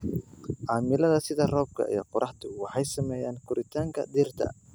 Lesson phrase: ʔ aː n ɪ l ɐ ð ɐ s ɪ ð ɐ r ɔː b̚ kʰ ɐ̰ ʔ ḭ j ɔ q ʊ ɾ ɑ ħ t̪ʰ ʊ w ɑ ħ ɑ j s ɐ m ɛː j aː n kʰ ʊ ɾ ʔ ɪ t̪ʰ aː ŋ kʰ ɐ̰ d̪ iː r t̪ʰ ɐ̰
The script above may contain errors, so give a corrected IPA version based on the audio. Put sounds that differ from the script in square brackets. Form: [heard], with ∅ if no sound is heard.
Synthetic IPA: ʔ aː [m] ɪ l ɐ ð ɐ s ɪ ð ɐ r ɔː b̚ kʰ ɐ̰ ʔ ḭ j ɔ q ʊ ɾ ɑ ħ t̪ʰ ʊ w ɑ ħ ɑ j s ɐ m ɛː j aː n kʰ ʊ ɾ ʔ ɪ t̪ʰ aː ŋ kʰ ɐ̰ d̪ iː r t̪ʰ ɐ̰